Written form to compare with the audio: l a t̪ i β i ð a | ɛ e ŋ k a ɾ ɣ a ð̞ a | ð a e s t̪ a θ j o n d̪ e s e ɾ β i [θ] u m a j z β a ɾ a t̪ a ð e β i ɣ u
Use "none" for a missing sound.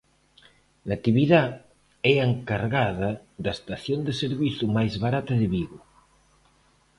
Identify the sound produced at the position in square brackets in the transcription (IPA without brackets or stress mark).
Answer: θ